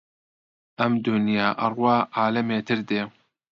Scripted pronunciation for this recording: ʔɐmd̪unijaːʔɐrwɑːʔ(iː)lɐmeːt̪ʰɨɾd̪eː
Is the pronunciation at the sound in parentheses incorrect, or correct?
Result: incorrect: aː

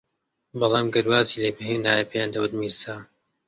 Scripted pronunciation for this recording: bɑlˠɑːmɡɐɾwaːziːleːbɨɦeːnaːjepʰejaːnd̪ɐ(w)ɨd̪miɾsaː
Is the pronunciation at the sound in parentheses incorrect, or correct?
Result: correct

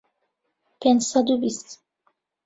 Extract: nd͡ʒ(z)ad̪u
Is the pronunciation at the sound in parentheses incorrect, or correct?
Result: incorrect: s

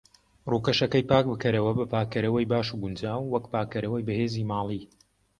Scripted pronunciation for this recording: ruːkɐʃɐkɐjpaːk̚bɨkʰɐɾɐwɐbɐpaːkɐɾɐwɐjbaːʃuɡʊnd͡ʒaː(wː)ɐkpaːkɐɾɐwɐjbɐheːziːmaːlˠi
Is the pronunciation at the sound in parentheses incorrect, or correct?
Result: correct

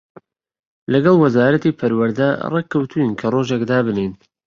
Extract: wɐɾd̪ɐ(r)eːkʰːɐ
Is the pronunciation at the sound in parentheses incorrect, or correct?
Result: correct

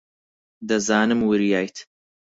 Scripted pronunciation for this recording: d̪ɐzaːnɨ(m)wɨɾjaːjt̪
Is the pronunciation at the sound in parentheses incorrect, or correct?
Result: correct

